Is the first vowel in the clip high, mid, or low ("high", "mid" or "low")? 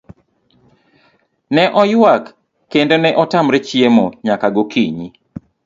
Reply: mid